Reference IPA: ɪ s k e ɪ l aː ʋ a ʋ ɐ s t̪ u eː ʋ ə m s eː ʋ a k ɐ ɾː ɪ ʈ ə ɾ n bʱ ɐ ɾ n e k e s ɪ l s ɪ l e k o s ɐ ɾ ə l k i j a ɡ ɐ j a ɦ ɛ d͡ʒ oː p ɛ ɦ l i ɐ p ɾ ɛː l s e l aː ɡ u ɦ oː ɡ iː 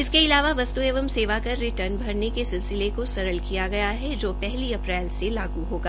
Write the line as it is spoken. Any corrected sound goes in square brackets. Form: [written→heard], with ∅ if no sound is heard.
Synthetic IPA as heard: ɪ s k e ɪ l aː ʋ a ʋ ɐ s t̪ u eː ʋ ə m s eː ʋ a k ɐ ɾː ɪ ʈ ə ɾ n bʱ ɐ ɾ n e k e s ɪ l s ɪ l e k o s ɐ ɾ ə l k i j a ɡ ɐ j a ɦ ɛ d͡ʒ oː p ɛ ɦ l i ɐ p ɾ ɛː l s e l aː ɡ u ɦ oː ɡ [iː→aː]